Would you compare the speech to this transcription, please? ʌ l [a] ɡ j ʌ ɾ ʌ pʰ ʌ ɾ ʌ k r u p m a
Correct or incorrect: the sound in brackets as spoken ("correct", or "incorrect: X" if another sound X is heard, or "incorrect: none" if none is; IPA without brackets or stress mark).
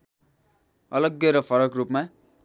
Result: incorrect: ʌ